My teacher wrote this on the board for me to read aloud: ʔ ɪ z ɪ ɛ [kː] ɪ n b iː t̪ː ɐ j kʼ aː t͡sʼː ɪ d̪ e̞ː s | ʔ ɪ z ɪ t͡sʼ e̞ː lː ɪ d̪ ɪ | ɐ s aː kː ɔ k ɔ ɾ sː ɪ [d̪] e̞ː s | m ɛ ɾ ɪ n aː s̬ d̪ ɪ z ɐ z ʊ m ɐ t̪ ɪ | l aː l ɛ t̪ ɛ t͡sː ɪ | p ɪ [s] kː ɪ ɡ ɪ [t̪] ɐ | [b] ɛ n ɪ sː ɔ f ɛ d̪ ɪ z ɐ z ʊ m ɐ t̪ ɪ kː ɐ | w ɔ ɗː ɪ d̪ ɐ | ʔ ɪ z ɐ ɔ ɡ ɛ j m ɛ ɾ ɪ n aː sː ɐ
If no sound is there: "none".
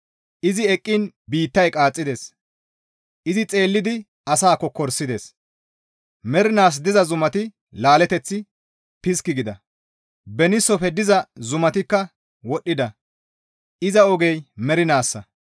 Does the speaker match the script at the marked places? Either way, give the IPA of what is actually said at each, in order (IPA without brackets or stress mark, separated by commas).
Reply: kʼː, d̪, s, d̪, b